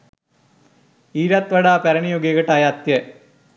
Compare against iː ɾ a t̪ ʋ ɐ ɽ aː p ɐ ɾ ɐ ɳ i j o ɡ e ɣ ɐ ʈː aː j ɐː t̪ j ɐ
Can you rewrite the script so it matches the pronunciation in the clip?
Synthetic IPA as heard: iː ɾ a t̪ ʋ ɐ ɽ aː p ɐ ɾ ɐ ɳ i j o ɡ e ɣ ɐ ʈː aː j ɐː t̪ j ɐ